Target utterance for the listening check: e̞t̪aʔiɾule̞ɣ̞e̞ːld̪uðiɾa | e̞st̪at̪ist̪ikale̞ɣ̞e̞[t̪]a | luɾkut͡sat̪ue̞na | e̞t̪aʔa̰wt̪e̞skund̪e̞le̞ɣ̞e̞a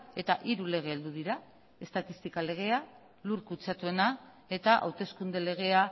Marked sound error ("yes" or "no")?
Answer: yes